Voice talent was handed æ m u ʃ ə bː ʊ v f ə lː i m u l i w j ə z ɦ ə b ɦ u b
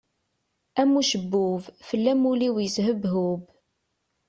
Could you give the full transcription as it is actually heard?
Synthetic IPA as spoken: æ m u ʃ ə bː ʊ v f ə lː æ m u l i w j ə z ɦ ə b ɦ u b